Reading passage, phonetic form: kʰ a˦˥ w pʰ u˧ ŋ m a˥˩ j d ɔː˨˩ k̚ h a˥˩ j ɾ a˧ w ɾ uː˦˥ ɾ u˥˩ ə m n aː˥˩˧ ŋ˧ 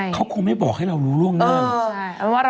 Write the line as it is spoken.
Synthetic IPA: kʰ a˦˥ w kʰ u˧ ŋ m a˥˩ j b ɔː˨˩ k̚ h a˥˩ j ɾ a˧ w ɾ uː˦˥ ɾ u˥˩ ə ŋ n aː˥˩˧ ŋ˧